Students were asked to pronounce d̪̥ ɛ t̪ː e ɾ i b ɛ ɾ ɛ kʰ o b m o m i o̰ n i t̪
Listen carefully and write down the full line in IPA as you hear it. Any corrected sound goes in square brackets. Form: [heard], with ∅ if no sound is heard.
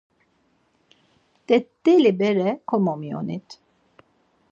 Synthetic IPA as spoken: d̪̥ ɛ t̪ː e [l] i b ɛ ɾ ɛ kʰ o [∅] m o m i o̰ n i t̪